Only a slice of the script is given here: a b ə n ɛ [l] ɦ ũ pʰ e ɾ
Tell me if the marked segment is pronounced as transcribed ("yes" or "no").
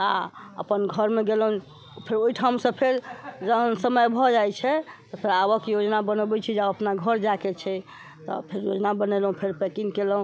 yes